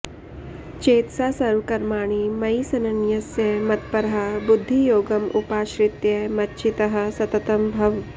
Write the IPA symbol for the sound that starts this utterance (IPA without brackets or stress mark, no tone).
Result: t͡ʃ